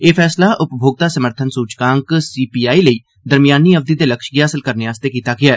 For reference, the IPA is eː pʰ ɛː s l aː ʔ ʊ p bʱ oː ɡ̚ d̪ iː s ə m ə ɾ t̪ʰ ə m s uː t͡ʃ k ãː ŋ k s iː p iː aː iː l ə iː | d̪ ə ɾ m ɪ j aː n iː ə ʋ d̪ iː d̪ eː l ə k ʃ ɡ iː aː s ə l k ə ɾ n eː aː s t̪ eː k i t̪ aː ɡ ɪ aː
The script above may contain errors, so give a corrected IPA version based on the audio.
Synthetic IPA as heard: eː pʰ ɛː s l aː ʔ ʊ p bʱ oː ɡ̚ d̪ aː s ə m ə ɾ t̪ʰ ə n s uː t͡ʃ k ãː ŋ k s iː p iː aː iː l ə iː | d̪ ə ɾ m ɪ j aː n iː ə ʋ d̪ iː d̪ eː l ə k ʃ ɡ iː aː s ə l k ə ɾ n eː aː s t̪ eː k iː t̪ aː ɡ ɪ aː